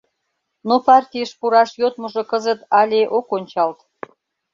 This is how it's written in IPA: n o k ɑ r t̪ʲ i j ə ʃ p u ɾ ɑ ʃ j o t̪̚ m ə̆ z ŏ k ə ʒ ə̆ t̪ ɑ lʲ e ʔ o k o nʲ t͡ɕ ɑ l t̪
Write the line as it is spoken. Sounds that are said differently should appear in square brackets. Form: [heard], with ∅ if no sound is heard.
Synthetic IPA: n o [p] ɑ r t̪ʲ i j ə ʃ p u ɾ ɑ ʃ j o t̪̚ m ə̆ [ʒ] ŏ k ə [z] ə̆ t̪ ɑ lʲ e ʔ o k o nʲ t͡ɕ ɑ l t̪